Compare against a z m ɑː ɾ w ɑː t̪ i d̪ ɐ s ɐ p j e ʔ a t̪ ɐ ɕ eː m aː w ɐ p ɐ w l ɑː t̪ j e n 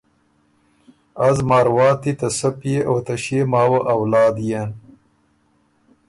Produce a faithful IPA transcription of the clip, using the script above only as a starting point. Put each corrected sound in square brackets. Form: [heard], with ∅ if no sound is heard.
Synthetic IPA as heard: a z m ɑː ɾ w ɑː t̪ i [t̪] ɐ s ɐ p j e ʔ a t̪ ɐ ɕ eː m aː w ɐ [ʔ] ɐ w l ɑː [d̪] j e n